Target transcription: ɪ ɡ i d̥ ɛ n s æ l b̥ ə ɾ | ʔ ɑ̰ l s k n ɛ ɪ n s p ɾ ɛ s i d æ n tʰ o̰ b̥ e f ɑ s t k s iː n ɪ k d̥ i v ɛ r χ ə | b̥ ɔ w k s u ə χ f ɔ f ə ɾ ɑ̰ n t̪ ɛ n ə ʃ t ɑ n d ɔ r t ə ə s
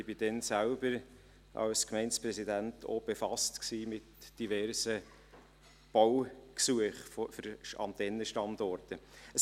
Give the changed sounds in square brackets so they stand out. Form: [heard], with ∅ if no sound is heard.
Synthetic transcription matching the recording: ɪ [b] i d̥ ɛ n s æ l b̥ ə ɾ | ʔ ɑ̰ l s k [m] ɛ ɪ n s p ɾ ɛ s i d æ n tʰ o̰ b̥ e f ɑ s t k s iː [m] ɪ [t] d̥ i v ɛ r [s] ə | b̥ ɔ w k s u ə χ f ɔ f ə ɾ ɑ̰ n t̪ ɛ n ə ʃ t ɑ n d ɔ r t ə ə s